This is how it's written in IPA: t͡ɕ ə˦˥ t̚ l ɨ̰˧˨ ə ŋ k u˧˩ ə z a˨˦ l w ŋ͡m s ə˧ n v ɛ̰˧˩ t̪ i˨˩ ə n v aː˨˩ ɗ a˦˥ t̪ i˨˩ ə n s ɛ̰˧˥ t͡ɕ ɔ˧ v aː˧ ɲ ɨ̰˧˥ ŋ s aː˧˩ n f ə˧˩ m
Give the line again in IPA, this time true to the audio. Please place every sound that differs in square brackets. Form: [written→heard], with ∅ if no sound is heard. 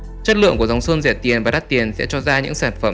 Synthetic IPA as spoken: t͡ɕ ə˦˥ t̚ l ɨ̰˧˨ ə ŋ k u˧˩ ə z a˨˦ [l→∅] w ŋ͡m s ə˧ n [v→z] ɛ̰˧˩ t̪ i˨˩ ə n v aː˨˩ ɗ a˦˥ t̪ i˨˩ ə n s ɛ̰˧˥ t͡ɕ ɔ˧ [v→z] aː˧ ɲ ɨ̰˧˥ ŋ s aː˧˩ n f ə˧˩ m